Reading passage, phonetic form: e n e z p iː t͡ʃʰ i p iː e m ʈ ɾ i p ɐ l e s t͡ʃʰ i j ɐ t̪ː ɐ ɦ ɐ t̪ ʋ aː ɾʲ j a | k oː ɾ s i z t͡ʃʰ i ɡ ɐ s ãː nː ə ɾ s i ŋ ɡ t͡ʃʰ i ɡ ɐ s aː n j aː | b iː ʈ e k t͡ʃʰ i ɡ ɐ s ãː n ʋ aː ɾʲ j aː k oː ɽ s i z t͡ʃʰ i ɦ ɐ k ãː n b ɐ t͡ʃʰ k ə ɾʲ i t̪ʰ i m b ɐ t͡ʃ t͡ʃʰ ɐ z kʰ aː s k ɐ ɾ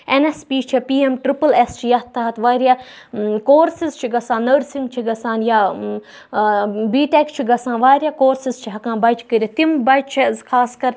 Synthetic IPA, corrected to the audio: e n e s p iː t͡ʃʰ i p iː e m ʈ ɾ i p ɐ l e s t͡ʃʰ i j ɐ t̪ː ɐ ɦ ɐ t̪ ʋ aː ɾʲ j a | k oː ɾ s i z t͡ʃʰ i ɡ ɐ s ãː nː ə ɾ s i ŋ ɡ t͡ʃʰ i ɡ ɐ s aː n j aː | b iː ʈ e k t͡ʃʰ i ɡ ɐ s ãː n ʋ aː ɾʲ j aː k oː ɾ s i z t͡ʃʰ i ɦ ɐ k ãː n b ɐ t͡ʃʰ k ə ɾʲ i t̪ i m b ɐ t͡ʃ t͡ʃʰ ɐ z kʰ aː s k ɐ ɾ